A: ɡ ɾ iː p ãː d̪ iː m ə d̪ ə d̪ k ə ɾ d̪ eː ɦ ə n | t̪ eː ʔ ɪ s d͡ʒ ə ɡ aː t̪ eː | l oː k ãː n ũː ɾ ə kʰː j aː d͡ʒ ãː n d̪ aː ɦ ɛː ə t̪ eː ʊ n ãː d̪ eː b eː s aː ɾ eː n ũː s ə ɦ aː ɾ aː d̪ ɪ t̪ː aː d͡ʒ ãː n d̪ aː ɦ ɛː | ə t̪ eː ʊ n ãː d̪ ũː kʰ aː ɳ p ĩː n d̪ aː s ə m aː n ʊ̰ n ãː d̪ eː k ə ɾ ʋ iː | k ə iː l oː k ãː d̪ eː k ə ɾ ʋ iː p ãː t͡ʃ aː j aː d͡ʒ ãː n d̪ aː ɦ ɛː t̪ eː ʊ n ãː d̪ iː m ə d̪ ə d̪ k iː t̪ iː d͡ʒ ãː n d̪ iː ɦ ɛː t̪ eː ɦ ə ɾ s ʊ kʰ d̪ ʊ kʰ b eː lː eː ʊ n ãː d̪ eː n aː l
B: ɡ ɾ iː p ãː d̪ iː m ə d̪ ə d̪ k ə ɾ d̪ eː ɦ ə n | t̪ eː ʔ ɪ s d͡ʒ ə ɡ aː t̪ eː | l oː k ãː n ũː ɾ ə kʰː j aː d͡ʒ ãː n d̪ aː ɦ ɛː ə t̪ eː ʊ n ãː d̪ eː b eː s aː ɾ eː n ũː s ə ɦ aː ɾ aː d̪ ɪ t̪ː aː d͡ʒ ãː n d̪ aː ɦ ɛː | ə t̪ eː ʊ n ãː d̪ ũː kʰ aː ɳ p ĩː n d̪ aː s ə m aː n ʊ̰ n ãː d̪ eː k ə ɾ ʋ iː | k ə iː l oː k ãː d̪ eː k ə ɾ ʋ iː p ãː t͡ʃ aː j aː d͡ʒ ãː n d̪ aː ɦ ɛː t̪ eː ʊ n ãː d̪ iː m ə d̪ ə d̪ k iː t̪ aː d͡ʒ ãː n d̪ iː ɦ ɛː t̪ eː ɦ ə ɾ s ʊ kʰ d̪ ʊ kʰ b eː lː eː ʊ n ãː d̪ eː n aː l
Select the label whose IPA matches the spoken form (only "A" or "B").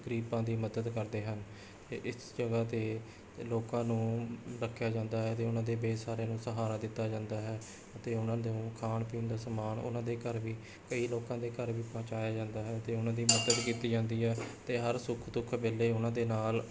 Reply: A